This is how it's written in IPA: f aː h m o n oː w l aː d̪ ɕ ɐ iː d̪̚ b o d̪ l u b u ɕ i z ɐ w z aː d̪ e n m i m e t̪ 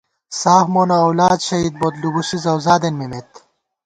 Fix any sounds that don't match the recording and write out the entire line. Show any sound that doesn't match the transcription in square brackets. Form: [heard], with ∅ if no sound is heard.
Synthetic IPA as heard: [s] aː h m o n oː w l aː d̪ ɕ ɐ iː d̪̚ b o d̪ l u b u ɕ i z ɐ w z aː d̪ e n m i m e t̪